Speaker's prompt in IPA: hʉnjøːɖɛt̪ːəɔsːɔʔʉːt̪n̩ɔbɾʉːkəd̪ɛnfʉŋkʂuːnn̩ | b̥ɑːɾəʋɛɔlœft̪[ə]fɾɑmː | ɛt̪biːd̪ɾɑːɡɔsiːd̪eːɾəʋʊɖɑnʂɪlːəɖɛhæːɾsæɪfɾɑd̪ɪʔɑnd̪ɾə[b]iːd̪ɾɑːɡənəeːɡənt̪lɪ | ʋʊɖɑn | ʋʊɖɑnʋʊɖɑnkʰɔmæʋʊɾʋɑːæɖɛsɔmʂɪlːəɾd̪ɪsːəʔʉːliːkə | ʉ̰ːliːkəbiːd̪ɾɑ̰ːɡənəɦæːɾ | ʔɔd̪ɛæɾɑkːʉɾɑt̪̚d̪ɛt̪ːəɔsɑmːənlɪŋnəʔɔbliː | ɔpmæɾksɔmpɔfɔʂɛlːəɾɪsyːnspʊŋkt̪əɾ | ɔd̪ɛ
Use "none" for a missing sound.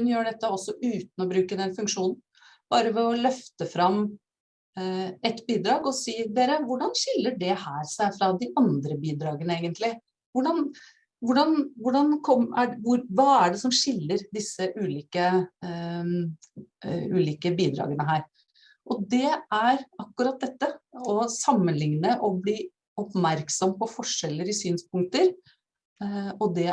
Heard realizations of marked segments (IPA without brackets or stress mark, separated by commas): ə, b